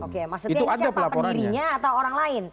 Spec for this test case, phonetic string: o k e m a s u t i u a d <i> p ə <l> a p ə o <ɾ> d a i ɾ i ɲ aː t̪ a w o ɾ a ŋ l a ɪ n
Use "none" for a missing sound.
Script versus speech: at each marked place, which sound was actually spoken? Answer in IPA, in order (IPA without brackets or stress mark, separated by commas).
a, l, ɾ